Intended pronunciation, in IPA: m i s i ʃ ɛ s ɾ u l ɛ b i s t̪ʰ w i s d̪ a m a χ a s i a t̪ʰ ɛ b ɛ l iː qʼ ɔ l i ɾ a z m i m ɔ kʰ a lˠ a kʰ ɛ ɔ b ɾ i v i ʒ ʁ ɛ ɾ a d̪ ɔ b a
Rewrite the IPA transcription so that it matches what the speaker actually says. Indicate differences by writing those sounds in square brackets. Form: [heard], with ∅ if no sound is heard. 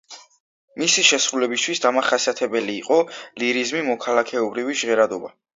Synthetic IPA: m i s i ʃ ɛ s ɾ u l ɛ b i s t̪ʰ w i s d̪ a m a χ a s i a t̪ʰ ɛ b ɛ l iː qʼ ɔ l i ɾ [i] z m i m ɔ kʰ a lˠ a kʰ ɛ ɔ b ɾ i v i ʒ ʁ ɛ ɾ a d̪ ɔ b a